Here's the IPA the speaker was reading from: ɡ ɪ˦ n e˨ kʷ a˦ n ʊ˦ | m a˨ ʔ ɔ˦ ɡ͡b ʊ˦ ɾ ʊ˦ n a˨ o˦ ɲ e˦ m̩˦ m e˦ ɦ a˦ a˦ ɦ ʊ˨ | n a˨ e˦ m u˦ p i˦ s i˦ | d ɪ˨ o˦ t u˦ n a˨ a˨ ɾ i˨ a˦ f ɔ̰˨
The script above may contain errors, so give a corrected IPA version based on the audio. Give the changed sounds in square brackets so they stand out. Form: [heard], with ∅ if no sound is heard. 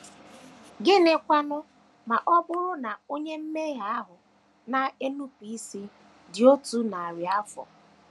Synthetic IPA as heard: ɡ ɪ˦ n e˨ kʷ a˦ n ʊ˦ | m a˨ ʔ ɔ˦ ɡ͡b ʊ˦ ɾ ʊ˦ n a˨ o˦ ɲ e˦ m̩˦ m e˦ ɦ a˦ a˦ ɦ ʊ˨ | n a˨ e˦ [n] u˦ p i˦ s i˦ | d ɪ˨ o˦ t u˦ n a˨ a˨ ɾ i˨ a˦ f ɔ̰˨